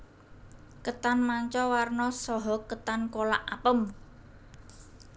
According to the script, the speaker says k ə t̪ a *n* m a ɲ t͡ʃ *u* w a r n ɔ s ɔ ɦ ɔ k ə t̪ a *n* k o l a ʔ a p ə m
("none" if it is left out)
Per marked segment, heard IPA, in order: n, ɔ, n

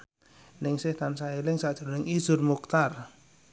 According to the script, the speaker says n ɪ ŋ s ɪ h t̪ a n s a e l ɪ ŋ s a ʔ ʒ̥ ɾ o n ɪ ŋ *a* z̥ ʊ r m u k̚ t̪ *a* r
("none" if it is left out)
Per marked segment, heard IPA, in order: i, a

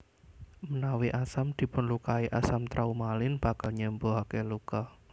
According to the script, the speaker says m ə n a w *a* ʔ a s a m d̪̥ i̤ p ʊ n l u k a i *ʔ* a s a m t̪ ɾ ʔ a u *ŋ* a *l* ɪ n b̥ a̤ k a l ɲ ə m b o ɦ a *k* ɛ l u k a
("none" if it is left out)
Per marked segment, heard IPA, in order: i, ʔ, m, l, k

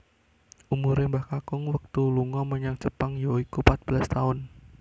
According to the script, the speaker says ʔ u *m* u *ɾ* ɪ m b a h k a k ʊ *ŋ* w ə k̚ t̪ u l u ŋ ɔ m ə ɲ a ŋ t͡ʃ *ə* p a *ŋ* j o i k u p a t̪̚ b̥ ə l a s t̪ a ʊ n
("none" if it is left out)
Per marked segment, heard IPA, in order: m, ɾ, ŋ, ə, ŋ

